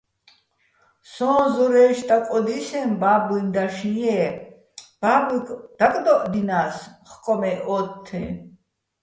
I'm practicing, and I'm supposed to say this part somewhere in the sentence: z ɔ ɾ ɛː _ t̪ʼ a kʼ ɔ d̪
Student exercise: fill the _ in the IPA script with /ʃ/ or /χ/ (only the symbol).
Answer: ʃ